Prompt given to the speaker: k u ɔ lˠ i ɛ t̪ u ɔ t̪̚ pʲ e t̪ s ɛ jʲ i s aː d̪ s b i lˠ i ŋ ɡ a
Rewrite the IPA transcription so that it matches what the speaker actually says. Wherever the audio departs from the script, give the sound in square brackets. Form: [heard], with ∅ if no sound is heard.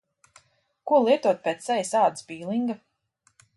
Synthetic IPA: k u ɔ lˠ i ɛ t̪ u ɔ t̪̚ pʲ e t̪ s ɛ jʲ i s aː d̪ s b [iː] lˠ i ŋ ɡ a